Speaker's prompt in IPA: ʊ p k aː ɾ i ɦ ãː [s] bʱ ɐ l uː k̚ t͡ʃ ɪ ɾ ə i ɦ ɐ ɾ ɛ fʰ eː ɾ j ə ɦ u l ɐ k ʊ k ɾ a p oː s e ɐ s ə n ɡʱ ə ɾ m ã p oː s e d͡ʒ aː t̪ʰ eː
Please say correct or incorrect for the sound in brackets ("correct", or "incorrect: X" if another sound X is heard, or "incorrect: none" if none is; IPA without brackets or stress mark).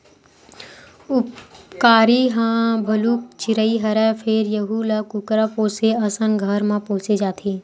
incorrect: none